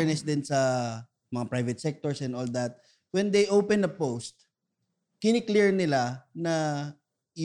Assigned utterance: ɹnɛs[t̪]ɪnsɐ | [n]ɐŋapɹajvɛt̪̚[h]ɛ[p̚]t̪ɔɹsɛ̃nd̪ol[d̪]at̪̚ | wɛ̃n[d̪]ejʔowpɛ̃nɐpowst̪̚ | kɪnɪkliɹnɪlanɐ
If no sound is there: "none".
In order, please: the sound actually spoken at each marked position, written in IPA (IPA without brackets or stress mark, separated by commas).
d̪, m, s, k̚, d̪, d̪